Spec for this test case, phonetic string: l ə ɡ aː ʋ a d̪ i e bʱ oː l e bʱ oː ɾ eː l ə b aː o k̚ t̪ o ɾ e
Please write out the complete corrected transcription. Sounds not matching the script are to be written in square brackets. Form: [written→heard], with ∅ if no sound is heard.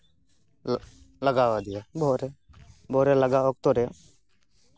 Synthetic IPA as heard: l ə ɡ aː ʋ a d̪ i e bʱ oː [l→ɾ] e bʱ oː ɾ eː l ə [b→ɡ] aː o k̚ t̪ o ɾ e